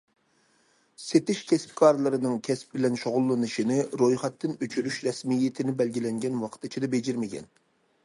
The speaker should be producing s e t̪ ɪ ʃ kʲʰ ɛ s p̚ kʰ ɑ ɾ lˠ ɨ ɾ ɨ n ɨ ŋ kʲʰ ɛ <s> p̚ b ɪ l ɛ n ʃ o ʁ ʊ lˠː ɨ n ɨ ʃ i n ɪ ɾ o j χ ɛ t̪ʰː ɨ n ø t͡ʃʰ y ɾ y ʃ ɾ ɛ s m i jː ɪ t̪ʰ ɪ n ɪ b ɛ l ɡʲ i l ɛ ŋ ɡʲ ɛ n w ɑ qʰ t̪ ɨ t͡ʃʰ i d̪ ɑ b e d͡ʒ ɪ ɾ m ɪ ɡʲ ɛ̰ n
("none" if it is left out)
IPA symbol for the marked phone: s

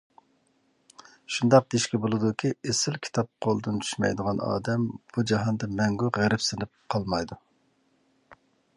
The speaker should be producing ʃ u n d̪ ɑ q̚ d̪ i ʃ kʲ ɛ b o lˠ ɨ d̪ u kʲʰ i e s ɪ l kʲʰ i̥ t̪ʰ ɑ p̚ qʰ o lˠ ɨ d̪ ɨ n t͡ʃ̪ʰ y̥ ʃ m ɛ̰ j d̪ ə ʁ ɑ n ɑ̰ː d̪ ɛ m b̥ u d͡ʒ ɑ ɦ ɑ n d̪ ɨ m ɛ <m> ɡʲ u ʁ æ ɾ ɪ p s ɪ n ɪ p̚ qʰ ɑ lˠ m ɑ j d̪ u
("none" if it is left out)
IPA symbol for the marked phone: ŋ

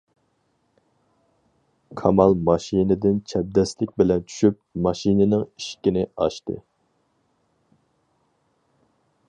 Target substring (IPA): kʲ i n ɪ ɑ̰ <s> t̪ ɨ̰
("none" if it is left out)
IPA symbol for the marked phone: ʃ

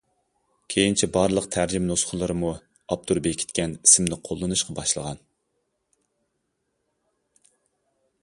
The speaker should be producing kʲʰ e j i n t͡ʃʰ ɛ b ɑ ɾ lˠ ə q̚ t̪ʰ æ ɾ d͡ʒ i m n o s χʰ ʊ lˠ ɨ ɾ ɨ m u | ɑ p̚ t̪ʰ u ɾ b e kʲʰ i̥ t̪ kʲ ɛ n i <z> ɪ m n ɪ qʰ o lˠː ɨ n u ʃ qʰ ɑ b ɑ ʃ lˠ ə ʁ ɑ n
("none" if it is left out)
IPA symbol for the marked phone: s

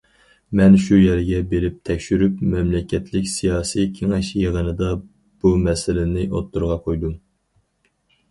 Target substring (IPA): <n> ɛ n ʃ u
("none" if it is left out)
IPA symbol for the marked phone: m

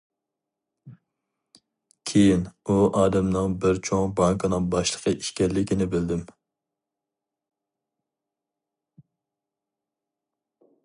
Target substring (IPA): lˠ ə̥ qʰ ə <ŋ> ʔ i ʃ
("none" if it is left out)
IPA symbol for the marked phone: none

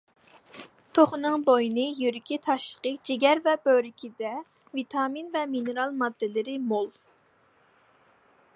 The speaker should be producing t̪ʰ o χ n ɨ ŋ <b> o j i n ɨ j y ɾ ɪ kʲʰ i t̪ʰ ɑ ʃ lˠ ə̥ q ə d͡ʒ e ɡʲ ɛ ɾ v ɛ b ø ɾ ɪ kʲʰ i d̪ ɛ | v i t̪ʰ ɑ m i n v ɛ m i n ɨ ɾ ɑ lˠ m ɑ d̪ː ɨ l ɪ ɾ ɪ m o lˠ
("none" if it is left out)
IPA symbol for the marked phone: b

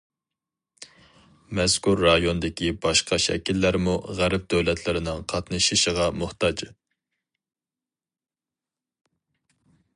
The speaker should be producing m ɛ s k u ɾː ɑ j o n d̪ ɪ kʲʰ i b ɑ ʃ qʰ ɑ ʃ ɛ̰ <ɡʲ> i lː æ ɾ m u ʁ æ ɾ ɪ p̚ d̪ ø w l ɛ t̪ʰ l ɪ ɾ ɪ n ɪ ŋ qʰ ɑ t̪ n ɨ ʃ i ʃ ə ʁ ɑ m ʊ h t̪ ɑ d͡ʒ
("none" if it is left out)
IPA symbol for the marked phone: kʲ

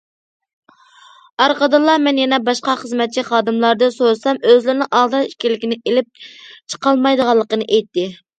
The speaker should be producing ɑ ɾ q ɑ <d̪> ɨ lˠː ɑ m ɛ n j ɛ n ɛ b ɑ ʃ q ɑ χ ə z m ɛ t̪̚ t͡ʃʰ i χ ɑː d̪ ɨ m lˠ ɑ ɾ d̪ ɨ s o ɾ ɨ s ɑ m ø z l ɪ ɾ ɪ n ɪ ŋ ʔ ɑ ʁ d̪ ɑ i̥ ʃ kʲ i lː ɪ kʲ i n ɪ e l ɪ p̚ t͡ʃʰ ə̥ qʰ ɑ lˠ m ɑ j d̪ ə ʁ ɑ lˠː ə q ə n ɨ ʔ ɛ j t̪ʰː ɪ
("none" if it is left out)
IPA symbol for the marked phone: d̪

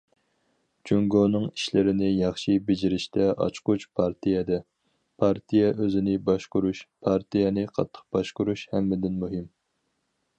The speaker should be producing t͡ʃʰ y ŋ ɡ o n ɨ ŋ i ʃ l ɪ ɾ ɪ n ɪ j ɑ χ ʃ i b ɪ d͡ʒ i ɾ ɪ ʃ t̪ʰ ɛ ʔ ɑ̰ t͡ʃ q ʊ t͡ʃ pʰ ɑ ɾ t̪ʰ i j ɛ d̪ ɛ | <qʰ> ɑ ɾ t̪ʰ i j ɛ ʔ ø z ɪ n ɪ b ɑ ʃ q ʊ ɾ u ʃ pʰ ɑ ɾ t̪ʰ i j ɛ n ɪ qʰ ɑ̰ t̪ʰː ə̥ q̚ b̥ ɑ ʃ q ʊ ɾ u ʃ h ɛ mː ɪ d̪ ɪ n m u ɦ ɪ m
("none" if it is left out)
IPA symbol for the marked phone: pʰ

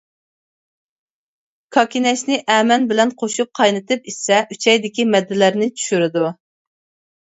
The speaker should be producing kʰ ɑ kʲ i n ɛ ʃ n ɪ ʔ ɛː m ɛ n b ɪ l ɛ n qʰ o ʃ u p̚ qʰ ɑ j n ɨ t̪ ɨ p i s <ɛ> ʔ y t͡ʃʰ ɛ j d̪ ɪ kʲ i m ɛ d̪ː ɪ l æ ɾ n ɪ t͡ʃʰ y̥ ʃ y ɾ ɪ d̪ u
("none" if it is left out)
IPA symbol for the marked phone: ɛ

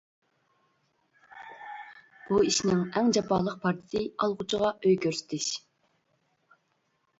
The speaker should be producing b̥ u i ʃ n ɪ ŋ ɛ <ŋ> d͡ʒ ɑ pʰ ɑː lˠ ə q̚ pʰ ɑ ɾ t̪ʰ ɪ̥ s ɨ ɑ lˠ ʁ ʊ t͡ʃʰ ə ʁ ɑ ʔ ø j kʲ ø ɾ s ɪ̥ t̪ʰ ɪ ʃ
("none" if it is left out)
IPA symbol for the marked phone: ŋ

